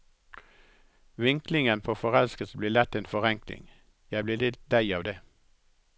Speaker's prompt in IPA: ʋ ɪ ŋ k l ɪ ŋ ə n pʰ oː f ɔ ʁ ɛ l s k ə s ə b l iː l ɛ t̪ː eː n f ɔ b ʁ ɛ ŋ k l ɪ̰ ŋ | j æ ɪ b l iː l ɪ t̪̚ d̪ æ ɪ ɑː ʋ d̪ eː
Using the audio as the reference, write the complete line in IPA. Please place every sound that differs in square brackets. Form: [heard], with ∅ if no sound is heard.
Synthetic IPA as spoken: ʋ ɪ ŋ k l ɪ ŋ ə n pʰ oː f ɔ ʁ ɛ l s k ə s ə b l iː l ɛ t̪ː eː n f ɔ [∅] ʁ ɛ ŋ k l ɪ̰ ŋ | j æ ɪ b l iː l ɪ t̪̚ d̪ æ ɪ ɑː ʋ d̪ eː